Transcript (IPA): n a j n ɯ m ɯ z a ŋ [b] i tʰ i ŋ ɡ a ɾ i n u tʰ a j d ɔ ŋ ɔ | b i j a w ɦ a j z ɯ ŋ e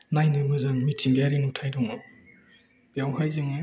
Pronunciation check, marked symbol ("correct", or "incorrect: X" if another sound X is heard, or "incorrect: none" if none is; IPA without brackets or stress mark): incorrect: m